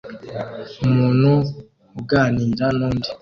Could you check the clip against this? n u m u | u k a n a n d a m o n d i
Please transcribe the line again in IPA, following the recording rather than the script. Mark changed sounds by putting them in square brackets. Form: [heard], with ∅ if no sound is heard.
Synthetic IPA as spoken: [m] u [n] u | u [ɡ] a n [i] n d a [n] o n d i